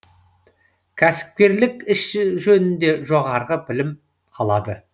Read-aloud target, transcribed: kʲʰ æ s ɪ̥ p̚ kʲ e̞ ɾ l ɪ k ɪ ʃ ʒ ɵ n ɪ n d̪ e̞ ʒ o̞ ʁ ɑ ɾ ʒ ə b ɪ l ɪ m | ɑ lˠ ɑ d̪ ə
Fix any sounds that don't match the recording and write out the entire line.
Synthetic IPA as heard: kʲʰ æ s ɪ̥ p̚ kʲ e̞ ɾ l ɪ k ɪ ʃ ʒ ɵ n ɪ n d̪ e̞ ʒ o̞ ʁ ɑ ɾ ʁ ə b ɪ l ɪ m | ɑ lˠ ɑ d̪ ə